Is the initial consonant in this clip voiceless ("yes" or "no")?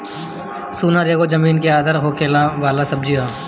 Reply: yes